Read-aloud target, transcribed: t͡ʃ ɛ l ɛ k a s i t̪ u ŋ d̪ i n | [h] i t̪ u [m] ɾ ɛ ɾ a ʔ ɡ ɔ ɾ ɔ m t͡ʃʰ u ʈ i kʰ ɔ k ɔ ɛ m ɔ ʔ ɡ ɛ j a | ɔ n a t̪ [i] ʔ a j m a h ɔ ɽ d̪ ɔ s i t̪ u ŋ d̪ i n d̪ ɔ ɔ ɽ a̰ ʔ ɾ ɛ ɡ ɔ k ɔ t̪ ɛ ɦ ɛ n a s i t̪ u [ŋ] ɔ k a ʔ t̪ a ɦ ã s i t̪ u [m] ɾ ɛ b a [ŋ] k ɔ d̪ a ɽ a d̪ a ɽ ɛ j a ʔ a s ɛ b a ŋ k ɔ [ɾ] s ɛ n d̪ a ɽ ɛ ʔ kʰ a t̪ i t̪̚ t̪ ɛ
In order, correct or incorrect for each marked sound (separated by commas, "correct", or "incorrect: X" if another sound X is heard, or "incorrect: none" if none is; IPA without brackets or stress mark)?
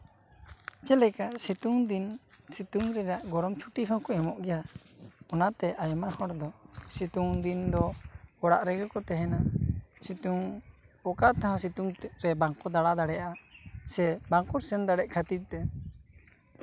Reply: incorrect: s, incorrect: ŋ, incorrect: ɛ, correct, incorrect: ŋ, correct, correct